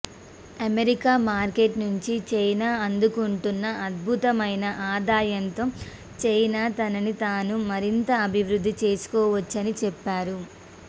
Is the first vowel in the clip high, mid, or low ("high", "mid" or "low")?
low